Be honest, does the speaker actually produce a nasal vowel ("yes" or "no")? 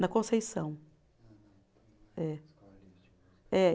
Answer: yes